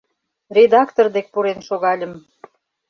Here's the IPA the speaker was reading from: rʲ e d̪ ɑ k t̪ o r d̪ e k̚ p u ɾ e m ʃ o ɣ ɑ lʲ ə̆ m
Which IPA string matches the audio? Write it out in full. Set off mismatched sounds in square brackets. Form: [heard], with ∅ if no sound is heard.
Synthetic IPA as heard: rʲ e d̪ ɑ k t̪ o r d̪ e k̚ p u ɾ e [n] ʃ o ɣ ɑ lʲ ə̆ m